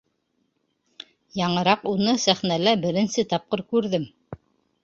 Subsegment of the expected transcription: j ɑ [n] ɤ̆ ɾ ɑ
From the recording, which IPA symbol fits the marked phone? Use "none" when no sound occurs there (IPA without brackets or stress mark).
ɴ